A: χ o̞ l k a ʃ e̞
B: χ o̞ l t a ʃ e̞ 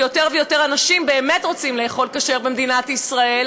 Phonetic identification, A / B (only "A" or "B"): A